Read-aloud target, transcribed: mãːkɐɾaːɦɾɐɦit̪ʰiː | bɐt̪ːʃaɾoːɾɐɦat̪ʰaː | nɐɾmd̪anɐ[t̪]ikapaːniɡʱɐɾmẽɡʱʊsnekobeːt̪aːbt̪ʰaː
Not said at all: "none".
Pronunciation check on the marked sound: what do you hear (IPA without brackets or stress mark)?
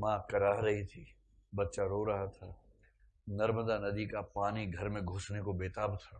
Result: d̪